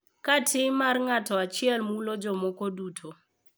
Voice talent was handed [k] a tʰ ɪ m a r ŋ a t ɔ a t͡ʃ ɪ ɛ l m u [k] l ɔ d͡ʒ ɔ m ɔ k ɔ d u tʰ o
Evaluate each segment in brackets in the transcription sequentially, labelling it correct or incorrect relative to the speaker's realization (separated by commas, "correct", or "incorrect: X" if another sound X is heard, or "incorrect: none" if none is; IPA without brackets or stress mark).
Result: correct, incorrect: none